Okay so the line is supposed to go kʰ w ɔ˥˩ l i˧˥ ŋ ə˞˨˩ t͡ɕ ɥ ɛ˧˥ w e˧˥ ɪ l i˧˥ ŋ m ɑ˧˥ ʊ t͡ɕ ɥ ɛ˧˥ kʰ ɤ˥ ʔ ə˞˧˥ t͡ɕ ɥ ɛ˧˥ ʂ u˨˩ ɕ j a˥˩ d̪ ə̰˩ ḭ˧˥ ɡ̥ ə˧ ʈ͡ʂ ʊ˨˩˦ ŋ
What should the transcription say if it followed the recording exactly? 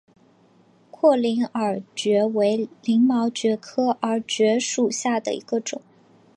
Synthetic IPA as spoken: kʰ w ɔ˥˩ l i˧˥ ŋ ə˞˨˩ t͡ɕ ɥ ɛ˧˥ w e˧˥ ɪ l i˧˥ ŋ m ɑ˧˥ ʊ t͡ɕ ɥ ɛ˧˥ kʰ ɤ˥ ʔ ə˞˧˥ t͡ɕ ɥ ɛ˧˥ ʂ u˨˩ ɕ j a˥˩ d̪ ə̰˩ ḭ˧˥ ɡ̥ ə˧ ʈ͡ʂ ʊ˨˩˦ ŋ